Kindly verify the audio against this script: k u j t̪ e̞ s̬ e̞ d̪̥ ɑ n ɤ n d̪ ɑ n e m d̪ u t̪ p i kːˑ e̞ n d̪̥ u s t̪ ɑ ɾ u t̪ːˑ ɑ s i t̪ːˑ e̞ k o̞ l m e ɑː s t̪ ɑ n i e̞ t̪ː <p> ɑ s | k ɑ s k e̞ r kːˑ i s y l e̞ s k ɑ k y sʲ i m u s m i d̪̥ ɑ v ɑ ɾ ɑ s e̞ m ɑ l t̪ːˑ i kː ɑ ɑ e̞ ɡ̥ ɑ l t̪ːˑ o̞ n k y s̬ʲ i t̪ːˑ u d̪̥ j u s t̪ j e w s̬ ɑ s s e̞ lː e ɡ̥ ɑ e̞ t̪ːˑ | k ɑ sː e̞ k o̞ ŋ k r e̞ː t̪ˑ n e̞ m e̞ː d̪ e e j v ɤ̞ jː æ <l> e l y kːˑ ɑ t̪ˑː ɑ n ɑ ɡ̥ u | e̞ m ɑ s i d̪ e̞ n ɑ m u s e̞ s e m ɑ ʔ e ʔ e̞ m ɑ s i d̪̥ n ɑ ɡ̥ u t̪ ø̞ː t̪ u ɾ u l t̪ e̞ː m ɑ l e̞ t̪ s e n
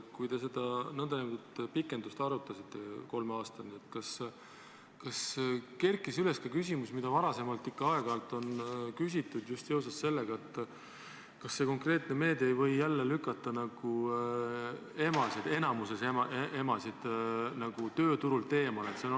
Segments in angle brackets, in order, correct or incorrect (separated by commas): incorrect, incorrect